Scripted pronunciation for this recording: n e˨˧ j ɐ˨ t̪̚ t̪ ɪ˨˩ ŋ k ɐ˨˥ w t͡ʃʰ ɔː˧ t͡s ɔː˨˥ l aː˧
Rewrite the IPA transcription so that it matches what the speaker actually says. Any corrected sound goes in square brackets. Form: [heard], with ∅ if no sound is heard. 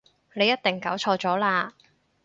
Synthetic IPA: n e˨˧ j [ɐ˥] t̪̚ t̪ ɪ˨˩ ŋ k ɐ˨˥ w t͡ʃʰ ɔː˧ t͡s ɔː˨˥ l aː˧